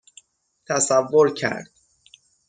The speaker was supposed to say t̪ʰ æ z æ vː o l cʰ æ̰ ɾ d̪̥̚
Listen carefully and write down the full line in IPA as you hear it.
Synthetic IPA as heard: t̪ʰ æ s æ vː o ɾ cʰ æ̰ ɾ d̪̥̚